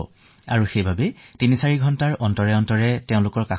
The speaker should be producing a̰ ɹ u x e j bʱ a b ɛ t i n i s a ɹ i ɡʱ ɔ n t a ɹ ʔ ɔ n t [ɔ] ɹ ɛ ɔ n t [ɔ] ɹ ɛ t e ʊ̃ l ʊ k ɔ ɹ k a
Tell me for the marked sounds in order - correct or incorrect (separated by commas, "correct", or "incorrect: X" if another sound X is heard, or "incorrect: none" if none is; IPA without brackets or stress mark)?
correct, correct